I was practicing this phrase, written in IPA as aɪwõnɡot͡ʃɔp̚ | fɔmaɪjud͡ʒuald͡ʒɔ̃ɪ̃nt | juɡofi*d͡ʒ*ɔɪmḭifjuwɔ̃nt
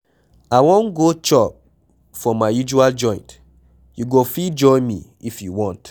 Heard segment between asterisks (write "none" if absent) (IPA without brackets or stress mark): d͡ʒ